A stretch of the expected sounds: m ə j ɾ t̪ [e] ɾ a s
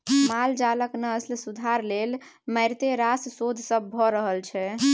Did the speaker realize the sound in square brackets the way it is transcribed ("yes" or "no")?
yes